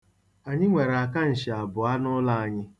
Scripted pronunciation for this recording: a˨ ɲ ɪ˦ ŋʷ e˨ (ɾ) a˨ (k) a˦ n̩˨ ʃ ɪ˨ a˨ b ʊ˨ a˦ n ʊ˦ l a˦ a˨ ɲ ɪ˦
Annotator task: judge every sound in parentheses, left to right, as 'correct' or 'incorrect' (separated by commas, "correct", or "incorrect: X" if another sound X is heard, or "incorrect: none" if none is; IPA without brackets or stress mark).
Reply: correct, correct